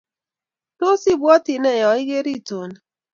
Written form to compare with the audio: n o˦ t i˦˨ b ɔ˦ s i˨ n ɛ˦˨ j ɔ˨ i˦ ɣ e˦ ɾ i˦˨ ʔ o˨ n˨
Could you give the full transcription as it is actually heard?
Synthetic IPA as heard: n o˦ s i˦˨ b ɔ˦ t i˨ n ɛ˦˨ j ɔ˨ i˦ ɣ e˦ ɾ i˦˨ t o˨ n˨